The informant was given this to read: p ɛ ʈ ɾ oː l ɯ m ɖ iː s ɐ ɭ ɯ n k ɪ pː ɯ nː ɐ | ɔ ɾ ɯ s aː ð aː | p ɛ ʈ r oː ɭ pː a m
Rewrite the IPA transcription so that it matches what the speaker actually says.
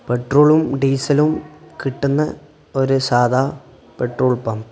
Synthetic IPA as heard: p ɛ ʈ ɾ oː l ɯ m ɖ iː s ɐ l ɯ m k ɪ ʈː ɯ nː ɐ | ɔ ɾ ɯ s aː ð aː | p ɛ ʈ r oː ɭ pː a m

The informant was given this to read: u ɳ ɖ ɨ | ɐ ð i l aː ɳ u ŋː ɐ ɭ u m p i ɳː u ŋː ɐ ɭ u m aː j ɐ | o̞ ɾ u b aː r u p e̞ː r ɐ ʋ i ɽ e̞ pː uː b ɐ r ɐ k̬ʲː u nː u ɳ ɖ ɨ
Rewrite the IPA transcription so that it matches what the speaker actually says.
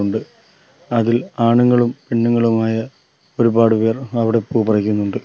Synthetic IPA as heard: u ɳ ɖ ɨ | ɐ ð i l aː ɳ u ŋː ɐ ɭ u m p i ɳː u ŋː ɐ ɭ u m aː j ɐ | o̞ ɾ u b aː ɽ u p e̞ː r ɐ ʋ i ɽ e̞ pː uː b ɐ r ɐ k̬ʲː u nː u ɳ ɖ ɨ

